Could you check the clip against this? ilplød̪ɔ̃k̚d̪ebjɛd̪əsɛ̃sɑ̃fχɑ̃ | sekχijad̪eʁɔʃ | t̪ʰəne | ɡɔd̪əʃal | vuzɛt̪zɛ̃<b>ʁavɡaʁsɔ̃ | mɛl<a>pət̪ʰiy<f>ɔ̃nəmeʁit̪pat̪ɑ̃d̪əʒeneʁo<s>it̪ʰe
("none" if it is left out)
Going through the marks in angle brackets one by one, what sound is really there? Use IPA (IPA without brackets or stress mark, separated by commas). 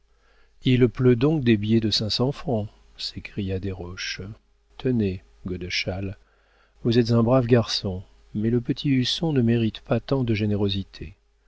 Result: b, ə, s, z